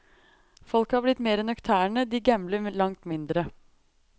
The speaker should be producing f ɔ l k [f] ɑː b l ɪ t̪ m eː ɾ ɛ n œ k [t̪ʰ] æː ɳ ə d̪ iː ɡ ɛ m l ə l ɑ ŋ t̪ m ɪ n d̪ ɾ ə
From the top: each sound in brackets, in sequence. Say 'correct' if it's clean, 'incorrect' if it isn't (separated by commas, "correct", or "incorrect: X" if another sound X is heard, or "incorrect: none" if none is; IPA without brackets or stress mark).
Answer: incorrect: h, correct